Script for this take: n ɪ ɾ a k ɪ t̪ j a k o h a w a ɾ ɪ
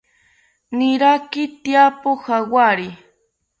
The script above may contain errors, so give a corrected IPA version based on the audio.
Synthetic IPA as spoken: n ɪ ɾ a k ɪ t̪ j a p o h a w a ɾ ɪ